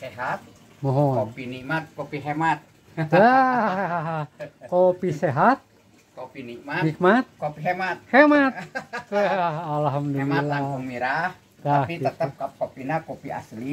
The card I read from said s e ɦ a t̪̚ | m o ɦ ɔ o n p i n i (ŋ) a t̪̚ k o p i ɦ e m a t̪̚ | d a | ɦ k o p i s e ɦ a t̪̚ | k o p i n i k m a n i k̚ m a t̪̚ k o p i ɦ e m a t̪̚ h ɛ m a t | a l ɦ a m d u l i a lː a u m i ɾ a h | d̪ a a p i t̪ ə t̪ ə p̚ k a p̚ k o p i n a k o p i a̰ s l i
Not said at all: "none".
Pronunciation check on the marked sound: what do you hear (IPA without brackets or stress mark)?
m